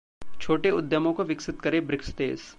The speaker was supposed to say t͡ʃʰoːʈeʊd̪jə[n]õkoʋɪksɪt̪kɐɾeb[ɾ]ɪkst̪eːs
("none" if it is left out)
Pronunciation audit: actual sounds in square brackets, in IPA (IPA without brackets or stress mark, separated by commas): m, ɾ